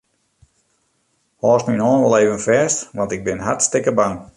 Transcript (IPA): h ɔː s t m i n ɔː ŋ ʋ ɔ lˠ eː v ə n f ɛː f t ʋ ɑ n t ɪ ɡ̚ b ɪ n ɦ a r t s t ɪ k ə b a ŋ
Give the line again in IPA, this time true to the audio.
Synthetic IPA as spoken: h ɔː s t m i n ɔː n ʋ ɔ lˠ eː v ə n f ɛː s t ʋ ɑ n t ɪ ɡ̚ b ɪ n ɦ a r t s t ɪ k ə b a ŋ